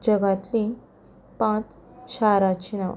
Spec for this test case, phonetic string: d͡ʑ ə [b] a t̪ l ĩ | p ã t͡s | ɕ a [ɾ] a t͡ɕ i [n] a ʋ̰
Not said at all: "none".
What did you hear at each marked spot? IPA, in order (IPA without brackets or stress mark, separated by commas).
ɡ, ɾ, n